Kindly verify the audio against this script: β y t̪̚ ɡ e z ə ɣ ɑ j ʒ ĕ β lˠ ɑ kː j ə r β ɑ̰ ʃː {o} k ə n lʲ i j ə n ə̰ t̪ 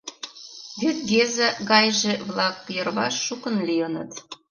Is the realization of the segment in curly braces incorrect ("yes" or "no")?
yes